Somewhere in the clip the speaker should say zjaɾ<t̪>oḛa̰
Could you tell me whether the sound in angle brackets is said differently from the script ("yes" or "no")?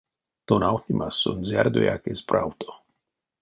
yes